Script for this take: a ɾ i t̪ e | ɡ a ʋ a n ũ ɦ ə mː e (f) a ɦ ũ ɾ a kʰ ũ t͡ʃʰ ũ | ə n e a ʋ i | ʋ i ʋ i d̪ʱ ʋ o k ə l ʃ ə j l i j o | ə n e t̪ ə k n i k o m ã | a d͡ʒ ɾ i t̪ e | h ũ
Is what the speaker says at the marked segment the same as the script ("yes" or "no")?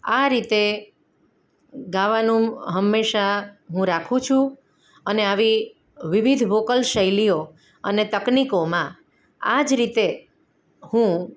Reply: no